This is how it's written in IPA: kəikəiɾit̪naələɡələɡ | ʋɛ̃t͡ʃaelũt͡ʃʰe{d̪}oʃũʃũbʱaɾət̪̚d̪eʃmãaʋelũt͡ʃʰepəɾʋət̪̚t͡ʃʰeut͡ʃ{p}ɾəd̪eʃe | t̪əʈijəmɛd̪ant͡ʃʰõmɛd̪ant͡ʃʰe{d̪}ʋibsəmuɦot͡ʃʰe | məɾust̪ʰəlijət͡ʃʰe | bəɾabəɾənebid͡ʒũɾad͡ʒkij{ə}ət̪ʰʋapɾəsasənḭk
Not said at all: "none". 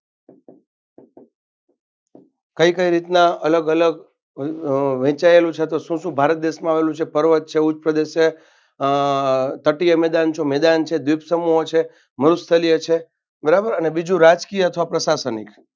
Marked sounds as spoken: t̪, p, d̪, ə

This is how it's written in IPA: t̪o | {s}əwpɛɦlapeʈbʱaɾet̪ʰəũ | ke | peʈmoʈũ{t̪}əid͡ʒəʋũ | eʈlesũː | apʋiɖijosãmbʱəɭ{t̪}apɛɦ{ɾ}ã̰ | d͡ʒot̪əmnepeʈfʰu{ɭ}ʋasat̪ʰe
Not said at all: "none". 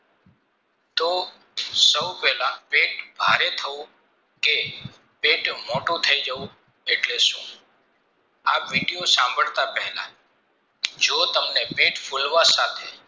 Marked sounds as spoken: s, t̪ʰ, t̪, l, l

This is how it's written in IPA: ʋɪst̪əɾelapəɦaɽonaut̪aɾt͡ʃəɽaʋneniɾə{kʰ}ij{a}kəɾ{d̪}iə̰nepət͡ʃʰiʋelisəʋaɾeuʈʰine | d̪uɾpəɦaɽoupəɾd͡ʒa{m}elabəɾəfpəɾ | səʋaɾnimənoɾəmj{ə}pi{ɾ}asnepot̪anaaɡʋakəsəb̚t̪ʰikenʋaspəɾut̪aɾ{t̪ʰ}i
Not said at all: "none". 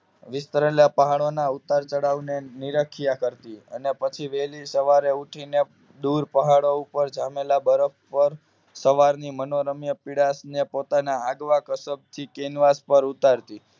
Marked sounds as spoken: kʰ, a, t̪, m, ə, ɽ, t̪

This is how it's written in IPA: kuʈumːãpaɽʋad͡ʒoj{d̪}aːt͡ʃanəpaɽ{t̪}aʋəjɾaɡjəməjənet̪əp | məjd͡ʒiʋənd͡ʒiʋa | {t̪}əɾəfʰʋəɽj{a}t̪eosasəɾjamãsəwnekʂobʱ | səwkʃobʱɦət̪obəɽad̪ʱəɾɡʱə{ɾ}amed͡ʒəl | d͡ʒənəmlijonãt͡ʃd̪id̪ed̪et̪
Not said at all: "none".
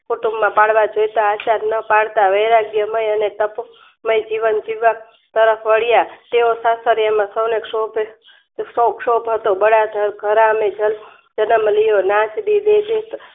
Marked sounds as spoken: t̪, t̪, t̪, a, ɾ

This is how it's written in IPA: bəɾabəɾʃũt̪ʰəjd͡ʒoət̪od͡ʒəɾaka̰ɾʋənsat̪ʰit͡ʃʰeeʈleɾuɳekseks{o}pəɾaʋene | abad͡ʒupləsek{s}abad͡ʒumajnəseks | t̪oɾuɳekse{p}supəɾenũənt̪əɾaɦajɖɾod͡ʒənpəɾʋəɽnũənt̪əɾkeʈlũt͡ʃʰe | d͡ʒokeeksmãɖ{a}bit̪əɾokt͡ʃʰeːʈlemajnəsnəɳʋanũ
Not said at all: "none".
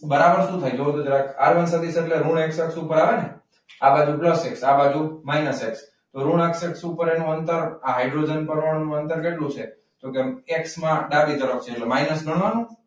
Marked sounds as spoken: u, s, k, a

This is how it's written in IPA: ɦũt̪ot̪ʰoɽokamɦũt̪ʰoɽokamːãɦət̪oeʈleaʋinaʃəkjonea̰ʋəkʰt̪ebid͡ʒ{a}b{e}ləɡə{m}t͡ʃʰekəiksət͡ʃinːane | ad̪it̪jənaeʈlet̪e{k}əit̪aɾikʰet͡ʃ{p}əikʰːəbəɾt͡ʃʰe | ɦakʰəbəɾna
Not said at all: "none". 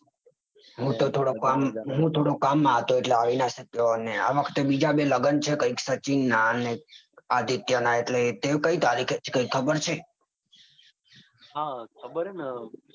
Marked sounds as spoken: a, e, n, k, k

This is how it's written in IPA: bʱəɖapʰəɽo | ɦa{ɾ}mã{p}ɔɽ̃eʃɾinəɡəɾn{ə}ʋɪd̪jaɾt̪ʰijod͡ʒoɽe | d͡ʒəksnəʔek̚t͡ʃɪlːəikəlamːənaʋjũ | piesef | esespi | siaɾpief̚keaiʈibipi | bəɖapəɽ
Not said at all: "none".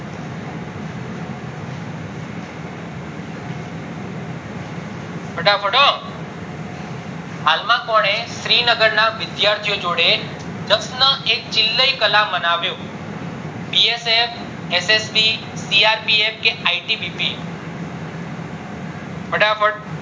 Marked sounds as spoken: l, k, a

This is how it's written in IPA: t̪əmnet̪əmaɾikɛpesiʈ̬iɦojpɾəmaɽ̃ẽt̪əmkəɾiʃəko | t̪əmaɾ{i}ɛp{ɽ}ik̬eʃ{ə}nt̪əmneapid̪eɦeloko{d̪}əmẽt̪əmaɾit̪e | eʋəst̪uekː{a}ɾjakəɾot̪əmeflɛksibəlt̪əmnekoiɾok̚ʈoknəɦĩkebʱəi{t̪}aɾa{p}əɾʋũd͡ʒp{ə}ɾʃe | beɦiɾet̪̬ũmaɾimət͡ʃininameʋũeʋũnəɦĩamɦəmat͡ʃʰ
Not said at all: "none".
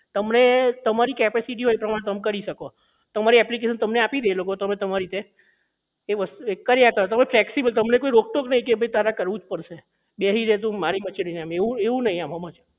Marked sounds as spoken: i, l, ə, t̪, ə, t̪, k, ə

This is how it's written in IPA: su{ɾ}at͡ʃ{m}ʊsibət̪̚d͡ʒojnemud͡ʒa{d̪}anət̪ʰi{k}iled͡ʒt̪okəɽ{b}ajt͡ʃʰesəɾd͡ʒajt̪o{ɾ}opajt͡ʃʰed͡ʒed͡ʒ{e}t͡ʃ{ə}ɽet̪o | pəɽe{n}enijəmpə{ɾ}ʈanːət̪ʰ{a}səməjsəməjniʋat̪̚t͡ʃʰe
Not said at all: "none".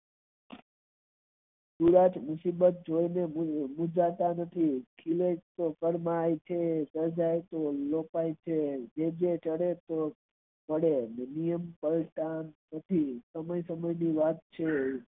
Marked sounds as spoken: ɾ, m, t̪, kʰ, m, l, e, ə, n, l, i

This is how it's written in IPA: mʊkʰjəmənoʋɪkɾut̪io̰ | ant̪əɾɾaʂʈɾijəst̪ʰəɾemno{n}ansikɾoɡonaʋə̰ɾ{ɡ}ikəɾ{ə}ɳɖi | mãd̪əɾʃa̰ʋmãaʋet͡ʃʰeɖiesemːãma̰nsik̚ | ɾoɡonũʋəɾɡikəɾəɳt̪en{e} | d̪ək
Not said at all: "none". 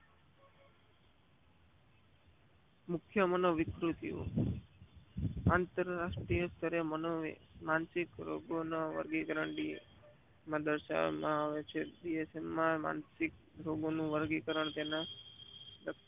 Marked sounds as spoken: m, ɡ, ə, a

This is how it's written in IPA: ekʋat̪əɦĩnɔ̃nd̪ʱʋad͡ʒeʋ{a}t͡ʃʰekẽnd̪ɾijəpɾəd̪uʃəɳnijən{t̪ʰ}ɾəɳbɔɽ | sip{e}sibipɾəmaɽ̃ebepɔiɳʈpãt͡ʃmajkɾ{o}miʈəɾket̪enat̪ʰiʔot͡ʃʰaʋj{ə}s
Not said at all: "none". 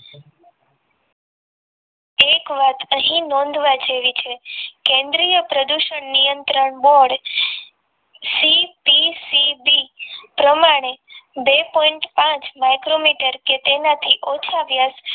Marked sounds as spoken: i, t̪, i, o, a

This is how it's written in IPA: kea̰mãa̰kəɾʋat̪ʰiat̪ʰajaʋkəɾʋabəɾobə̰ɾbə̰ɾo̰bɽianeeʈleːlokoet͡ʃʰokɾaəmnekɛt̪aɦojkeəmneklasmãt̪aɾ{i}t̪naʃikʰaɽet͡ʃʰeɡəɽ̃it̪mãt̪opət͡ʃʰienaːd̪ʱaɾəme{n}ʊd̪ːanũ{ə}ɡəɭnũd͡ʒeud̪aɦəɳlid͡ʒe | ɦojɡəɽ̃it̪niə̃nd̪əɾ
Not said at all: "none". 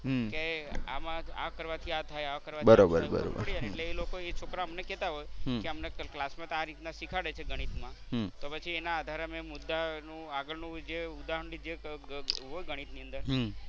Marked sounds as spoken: i, m, a

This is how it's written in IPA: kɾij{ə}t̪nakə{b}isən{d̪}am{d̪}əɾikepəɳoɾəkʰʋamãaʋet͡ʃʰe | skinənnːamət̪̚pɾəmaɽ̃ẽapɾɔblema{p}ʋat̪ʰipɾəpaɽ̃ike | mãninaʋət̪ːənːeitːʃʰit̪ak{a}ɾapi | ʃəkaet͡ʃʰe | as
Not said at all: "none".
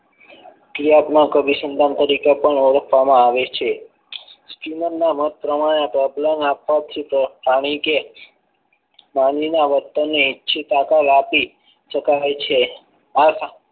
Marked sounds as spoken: a, b, d̪, t̪, p, a

